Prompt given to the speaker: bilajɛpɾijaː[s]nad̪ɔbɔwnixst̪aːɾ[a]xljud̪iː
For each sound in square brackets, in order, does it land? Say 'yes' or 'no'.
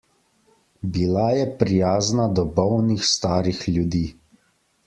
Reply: no, no

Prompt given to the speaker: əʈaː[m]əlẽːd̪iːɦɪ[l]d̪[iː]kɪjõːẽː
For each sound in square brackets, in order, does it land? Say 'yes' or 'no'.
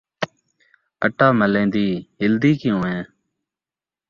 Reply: yes, yes, yes

